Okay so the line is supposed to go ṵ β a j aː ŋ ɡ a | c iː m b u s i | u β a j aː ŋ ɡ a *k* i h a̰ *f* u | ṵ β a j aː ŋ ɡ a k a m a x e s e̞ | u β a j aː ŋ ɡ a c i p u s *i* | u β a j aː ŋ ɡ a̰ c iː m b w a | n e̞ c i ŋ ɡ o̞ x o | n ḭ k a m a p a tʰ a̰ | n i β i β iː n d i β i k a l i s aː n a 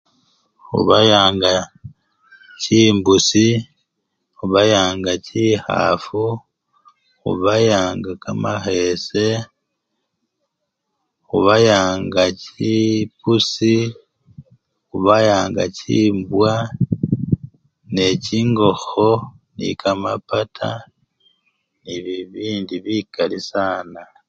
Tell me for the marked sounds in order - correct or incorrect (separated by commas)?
incorrect, correct, correct